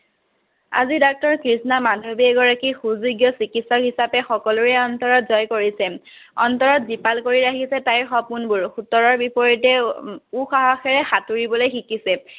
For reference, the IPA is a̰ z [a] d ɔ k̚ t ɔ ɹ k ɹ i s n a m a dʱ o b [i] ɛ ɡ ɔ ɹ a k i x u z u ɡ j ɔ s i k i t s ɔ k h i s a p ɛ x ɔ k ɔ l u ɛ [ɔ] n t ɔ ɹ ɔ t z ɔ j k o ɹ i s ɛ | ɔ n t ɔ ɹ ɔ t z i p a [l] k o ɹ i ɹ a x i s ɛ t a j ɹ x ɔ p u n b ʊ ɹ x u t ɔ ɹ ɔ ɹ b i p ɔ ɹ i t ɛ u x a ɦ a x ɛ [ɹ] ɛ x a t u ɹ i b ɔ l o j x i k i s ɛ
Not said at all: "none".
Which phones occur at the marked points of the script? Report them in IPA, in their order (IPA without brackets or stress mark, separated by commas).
i, i, ɔ, l, ɹ